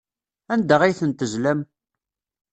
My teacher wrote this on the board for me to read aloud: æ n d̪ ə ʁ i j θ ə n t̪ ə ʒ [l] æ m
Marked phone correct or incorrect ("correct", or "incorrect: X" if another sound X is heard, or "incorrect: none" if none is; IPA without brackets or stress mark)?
correct